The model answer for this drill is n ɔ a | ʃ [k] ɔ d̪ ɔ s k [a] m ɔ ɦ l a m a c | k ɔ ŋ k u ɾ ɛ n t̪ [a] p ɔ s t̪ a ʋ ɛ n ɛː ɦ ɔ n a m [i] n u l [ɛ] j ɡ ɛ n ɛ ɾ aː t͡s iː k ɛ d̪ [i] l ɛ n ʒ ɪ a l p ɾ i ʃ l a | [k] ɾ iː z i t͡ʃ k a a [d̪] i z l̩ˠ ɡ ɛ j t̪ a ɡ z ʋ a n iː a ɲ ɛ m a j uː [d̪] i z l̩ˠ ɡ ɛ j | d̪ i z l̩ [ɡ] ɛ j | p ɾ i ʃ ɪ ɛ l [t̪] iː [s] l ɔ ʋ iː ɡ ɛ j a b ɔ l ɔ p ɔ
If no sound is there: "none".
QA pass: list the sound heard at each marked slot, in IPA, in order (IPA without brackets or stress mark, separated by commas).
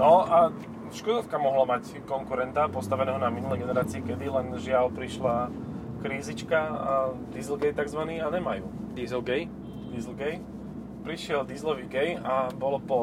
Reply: k, a, a, i, ɛ, i, k, d̪, d̪, ɡ, d̪, z